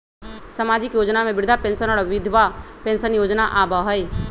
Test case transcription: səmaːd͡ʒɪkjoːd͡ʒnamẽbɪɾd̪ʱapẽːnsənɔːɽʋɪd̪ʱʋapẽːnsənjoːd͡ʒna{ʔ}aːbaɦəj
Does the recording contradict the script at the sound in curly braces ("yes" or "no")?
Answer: no